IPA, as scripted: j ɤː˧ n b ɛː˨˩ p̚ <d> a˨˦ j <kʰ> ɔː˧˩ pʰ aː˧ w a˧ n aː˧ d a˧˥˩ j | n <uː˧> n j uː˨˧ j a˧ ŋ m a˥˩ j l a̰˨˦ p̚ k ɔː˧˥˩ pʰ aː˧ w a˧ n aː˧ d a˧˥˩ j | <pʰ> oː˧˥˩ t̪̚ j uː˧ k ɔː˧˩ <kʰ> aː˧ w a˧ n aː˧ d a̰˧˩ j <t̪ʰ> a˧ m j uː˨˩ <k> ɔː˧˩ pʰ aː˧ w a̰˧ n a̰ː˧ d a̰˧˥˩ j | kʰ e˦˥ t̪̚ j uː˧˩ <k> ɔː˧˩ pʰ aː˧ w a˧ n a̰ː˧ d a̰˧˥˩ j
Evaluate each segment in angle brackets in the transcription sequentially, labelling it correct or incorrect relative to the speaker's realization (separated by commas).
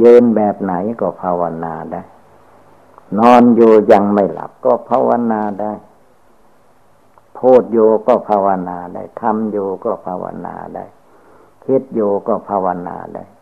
incorrect, incorrect, incorrect, correct, incorrect, correct, correct, correct